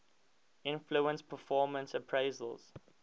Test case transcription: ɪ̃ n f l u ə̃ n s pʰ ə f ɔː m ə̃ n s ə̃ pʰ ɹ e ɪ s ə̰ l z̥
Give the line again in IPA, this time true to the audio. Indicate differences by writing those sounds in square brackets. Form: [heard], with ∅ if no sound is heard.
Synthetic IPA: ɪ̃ n f l u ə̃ n s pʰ ə f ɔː m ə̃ n s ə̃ pʰ ɹ e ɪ [z] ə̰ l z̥